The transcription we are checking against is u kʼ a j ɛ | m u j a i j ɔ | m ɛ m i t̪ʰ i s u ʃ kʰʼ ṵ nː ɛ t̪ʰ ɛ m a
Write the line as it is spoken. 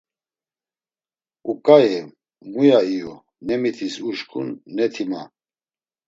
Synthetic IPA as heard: u kʼ a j ɛ | m u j a i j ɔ | n ɛ m i t̪ʰ i s u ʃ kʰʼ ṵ nː ɛ t̪ʰ i m a